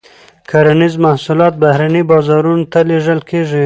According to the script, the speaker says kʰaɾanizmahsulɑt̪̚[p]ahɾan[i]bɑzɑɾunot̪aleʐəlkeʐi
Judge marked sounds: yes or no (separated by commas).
no, yes